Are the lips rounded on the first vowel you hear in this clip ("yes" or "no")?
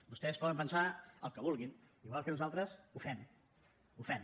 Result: yes